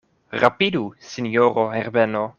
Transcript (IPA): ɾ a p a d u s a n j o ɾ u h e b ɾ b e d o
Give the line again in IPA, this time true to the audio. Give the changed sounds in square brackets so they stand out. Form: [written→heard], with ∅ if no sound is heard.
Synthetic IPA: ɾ a p [a→i] d u s [a→i] n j o ɾ [u→o] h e [b→∅] ɾ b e [d→n] o